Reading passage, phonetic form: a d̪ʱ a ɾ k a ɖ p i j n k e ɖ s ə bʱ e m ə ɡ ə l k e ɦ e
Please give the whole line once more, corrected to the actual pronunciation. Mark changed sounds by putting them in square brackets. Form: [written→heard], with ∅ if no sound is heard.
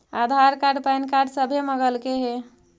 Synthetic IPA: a d̪ʱ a ɾ k a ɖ p [i→a] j n k [e→a] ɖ s ə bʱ e m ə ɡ ə l k e ɦ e